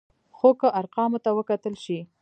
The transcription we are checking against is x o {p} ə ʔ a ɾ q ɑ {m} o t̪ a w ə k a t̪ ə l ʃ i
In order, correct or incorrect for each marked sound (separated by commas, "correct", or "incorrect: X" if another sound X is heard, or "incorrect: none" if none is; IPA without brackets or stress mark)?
incorrect: k, correct